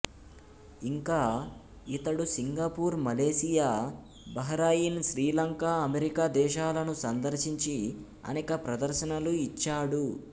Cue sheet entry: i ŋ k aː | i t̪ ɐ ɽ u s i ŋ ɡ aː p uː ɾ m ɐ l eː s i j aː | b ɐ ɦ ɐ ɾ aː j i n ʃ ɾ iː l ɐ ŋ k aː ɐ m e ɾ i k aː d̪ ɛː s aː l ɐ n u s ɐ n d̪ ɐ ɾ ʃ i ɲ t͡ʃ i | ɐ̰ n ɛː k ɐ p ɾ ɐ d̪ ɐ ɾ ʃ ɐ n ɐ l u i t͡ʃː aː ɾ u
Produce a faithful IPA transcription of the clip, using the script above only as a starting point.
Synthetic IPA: i ŋ k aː | i t̪ ɐ ɽ u s i ŋ ɡ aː p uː ɾ m ɐ l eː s i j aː | b ɐ ɦ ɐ ɾ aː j i n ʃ ɾ iː l ɐ ŋ k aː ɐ m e ɾ i k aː d̪ ɛː ʃ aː l ɐ n u s ɐ n d̪ ɐ ɾ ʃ i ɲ t͡ʃ i | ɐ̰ n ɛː k ɐ p ɾ ɐ d̪ ɐ ɾ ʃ ɐ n ɐ l u i t͡ʃː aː ɽ u